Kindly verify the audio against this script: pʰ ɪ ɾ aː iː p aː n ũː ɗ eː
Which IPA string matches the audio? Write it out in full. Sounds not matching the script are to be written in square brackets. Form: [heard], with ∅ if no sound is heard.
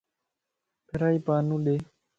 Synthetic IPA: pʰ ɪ ɾ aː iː p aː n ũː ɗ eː